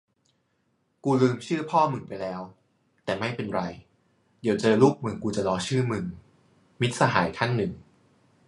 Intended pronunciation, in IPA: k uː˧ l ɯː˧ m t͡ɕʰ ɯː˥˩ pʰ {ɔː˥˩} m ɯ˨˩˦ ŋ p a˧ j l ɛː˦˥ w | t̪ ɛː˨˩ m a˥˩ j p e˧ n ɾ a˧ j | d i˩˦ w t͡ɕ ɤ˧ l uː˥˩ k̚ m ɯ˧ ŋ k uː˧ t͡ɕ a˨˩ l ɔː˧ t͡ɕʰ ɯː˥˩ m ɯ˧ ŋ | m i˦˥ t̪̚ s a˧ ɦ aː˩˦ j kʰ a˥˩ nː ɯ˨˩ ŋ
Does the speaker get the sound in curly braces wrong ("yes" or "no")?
no